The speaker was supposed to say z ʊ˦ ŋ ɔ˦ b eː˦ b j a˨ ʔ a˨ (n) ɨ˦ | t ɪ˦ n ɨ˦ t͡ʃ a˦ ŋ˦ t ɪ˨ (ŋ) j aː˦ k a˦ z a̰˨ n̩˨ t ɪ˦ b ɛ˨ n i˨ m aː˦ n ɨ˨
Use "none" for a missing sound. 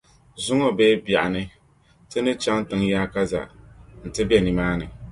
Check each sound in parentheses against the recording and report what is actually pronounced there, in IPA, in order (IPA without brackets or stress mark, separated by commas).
n, ŋ